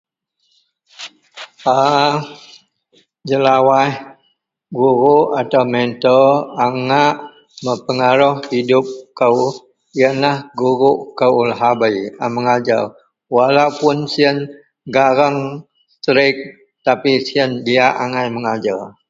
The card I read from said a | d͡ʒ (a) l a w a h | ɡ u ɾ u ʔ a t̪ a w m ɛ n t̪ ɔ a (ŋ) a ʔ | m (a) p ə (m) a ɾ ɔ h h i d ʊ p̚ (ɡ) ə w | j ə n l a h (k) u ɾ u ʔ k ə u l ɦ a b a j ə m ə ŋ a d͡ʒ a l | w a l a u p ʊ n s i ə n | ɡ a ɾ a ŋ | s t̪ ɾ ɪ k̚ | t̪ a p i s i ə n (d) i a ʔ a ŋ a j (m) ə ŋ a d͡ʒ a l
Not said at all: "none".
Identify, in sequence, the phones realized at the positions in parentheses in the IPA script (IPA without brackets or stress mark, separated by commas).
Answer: ə, ŋ, ə, ŋ, k, ɡ, d, m